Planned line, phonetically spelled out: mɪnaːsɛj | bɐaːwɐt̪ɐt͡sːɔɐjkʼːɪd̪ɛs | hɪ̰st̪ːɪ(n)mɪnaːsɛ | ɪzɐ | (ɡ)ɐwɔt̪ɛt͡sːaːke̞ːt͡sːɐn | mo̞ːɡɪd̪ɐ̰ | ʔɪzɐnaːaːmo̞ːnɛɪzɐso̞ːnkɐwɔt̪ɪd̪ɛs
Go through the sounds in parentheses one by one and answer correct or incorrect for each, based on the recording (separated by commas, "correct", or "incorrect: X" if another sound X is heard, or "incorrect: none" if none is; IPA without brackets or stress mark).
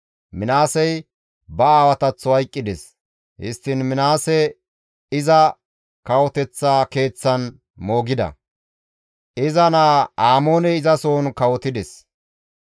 correct, incorrect: k